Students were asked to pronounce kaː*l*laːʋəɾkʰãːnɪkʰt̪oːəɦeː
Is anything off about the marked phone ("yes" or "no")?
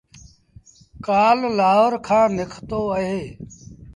no